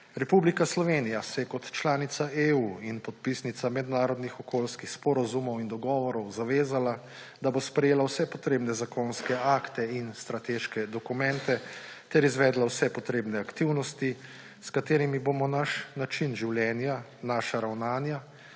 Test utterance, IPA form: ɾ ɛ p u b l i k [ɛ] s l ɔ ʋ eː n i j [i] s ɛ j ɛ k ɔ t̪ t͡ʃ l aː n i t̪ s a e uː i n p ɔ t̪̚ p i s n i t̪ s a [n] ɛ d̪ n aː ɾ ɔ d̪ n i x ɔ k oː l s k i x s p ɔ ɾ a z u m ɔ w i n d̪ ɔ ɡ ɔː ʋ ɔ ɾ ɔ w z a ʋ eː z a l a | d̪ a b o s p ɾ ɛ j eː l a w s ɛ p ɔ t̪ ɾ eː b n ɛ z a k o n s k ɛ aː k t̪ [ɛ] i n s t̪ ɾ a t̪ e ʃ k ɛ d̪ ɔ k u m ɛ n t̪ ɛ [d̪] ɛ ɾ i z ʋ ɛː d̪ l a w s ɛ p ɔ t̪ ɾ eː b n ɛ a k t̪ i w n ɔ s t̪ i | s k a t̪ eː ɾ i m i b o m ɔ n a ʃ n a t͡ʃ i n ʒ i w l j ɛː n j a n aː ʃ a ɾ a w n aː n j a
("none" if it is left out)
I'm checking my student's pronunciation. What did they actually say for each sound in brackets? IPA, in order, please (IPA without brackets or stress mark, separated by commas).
a, a, m, ɛ, t̪